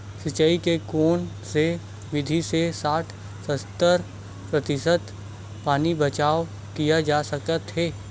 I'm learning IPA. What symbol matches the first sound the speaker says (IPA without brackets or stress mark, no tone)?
s